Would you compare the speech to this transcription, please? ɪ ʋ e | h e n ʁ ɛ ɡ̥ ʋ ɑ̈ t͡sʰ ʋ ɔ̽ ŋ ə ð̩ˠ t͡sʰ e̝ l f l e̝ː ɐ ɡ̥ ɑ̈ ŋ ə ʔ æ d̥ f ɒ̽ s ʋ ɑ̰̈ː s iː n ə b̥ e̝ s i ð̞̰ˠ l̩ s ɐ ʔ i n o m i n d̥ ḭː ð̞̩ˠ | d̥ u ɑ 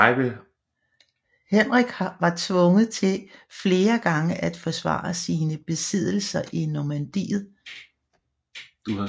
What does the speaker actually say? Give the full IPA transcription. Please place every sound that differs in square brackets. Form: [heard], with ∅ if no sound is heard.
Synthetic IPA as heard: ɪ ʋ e | h e n ʁ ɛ ɡ̥ ʋ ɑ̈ t͡sʰ ʋ ɔ̽ ŋ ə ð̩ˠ t͡sʰ e̝ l f l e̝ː ɐ ɡ̥ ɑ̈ ŋ ə ʔ æ d̥ f ɒ̽ s ʋ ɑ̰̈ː s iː n ə b̥ e̝ s i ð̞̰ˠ l̩ s ɐ ʔ i n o m [æ] n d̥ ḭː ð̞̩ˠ | d̥ u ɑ